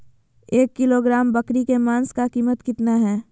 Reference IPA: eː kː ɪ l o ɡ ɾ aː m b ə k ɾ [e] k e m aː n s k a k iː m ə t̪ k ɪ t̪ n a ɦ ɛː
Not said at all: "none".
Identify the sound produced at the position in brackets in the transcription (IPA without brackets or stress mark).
i